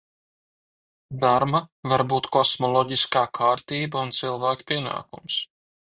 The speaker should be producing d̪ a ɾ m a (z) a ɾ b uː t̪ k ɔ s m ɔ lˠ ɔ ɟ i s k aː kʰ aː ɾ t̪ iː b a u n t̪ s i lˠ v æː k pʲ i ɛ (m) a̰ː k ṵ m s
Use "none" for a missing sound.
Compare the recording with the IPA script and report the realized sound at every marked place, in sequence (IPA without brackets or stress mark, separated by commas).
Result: v, n